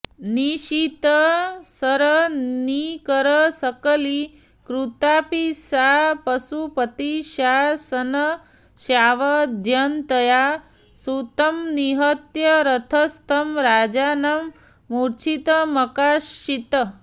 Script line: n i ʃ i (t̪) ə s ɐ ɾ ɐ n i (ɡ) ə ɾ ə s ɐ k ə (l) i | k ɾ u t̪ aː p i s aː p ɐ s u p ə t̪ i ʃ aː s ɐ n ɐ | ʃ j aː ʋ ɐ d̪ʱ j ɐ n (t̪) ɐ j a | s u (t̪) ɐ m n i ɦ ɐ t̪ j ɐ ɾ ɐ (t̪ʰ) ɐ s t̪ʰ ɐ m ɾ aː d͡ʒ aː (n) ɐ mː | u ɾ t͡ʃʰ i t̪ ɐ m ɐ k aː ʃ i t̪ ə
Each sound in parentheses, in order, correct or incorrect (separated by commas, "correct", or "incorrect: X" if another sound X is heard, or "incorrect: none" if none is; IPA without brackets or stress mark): correct, incorrect: k, correct, correct, correct, correct, correct